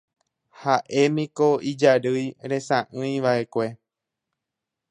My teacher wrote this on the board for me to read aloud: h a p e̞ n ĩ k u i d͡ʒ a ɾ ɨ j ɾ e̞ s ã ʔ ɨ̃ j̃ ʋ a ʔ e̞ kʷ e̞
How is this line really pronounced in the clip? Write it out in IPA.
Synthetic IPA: h a ʔ e̞ m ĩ k o i d͡ʒ a ɾ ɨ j ɾ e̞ s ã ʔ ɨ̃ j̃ ʋ a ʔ e̞ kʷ e̞